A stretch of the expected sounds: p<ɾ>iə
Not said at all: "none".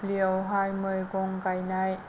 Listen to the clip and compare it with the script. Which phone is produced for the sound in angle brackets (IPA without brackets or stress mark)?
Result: l